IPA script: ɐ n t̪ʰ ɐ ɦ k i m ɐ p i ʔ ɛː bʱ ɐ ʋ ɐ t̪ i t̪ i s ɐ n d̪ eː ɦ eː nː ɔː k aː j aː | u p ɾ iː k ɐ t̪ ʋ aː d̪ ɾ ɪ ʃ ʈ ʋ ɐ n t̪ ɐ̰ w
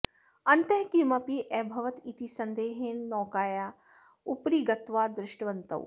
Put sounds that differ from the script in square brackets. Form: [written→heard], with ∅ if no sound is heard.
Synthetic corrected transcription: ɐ n [t̪ʰ→t̪] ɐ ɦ k i m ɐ p i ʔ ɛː bʱ ɐ ʋ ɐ t̪ i t̪ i s ɐ n d̪ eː ɦ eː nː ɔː k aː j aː | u p ɾ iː [k→ɡ] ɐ t̪ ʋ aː d̪ ɾ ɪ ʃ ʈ ʋ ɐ n t̪ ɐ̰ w